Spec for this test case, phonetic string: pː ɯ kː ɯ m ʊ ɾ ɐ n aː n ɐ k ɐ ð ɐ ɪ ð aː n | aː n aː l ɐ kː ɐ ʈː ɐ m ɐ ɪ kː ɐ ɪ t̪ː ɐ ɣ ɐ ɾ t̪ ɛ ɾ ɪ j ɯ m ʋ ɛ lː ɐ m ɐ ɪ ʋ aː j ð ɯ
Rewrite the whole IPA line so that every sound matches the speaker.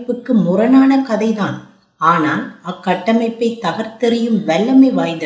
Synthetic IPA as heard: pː ɯ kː ɯ m ʊ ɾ ɐ n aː n ɐ k ɐ ð ɐ ɪ ð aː n | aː n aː l ɐ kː ɐ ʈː ɐ m ɐ ɪ pː ɐ ɪ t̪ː ɐ ɣ ɐ ɾ t̪ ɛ ɾ ɪ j ɯ m ʋ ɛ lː ɐ m ɐ ɪ ʋ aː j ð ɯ